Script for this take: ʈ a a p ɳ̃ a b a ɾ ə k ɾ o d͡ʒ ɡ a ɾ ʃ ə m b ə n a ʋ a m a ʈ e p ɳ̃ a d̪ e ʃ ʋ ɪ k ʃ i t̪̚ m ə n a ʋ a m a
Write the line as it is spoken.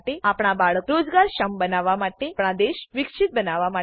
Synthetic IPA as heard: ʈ e a p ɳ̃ a b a ɭ ə k ɾ o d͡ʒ ɡ a ɾ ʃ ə m b ə n a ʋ a m a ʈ e p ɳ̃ a d̪ e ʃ ʋ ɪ k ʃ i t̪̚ b ə n a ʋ a m a